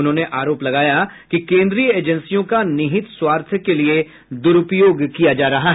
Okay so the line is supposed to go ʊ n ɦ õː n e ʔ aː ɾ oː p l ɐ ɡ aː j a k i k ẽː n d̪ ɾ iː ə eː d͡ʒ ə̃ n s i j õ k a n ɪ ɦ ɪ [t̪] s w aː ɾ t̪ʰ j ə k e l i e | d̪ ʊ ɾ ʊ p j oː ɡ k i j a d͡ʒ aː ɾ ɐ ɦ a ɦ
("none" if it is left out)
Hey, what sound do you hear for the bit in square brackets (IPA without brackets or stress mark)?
t̪